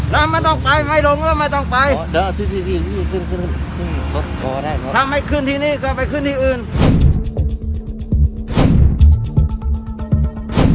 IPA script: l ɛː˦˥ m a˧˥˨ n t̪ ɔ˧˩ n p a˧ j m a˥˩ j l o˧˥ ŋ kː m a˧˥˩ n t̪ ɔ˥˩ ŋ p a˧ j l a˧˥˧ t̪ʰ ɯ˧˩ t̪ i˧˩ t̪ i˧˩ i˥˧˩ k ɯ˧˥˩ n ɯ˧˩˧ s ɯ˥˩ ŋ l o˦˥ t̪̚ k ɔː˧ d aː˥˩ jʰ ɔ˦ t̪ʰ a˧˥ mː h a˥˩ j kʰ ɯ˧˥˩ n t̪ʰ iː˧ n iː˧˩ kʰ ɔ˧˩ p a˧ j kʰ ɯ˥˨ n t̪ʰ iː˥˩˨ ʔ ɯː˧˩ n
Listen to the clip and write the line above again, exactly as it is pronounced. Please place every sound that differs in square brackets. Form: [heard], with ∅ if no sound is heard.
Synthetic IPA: l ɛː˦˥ m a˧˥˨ n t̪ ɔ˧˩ [ŋ] p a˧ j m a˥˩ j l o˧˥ ŋ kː m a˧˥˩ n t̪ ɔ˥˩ ŋ p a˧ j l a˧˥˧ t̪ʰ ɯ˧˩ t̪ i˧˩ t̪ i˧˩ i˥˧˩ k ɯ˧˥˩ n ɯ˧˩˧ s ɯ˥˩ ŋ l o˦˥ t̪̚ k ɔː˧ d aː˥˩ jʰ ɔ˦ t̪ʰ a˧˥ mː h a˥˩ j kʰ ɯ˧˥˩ n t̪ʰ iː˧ n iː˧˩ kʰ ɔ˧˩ p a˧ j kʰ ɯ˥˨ n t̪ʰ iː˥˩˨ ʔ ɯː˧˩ n